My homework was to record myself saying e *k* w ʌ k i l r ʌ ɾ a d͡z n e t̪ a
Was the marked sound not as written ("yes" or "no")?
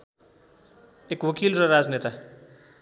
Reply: no